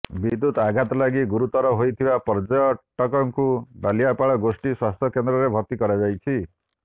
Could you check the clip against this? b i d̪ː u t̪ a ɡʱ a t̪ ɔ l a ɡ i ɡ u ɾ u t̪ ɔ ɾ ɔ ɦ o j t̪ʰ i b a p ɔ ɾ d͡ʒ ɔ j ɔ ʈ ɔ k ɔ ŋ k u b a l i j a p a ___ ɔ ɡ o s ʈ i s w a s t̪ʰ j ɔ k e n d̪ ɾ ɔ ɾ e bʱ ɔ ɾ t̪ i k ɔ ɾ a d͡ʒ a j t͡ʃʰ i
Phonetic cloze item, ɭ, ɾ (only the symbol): ɭ